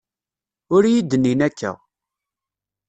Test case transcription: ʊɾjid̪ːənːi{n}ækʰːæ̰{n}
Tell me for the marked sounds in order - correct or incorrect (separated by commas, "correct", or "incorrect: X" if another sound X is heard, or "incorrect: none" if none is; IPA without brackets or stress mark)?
correct, incorrect: none